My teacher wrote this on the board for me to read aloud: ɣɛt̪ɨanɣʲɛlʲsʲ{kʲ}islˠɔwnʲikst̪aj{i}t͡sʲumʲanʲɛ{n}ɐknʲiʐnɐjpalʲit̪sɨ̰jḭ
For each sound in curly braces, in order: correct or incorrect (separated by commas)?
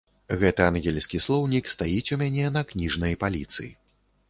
correct, correct, correct